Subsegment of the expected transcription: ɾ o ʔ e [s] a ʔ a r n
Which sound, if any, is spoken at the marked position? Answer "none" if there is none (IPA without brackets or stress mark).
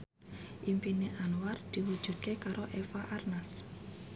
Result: f